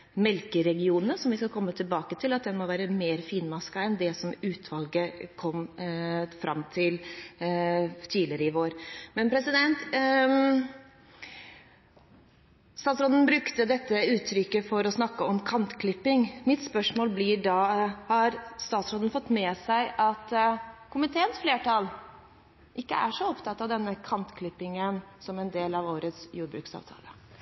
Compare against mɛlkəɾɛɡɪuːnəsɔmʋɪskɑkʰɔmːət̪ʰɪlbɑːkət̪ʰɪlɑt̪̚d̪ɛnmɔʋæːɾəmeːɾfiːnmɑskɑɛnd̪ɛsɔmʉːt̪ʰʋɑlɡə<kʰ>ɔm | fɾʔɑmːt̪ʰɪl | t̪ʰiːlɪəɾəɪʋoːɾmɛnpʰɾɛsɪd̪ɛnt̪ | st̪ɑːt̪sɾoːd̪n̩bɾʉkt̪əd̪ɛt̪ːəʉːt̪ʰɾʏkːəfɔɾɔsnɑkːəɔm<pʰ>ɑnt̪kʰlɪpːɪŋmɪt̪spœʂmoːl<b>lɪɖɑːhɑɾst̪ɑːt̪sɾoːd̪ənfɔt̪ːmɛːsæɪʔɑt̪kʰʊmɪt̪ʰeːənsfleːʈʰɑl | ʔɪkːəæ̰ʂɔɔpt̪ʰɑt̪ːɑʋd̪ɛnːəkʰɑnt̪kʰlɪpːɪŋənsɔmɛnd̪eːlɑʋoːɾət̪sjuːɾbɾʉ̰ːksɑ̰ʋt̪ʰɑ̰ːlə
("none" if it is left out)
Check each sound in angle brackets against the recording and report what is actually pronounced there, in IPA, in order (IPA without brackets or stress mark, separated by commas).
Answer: kʰ, kʰ, b